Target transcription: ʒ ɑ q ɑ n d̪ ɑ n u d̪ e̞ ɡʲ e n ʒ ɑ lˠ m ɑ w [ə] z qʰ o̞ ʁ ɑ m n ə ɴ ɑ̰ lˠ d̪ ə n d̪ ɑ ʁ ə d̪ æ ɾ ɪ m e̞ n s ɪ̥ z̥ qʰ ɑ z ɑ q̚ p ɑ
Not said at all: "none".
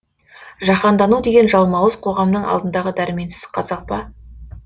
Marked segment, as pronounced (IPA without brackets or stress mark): ə